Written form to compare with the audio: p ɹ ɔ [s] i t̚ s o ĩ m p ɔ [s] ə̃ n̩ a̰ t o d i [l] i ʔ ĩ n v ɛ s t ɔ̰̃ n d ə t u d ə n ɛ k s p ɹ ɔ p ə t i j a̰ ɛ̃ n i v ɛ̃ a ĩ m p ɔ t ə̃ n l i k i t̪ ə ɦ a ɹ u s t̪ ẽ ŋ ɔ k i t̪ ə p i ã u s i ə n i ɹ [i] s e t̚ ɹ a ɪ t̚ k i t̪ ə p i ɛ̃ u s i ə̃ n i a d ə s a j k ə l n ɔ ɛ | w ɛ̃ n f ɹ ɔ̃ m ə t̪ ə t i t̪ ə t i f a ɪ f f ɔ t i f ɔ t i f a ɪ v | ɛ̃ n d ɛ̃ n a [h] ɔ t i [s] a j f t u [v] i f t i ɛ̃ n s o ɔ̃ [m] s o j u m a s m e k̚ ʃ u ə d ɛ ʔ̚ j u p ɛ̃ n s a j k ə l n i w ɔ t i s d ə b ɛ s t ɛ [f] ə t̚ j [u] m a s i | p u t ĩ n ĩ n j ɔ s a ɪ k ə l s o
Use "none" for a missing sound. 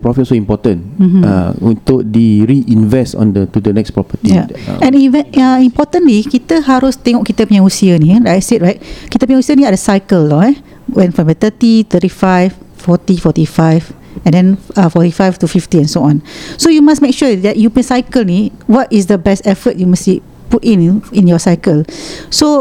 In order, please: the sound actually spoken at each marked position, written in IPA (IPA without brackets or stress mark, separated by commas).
f, t, ɹ, a, f, f, f, n, f, u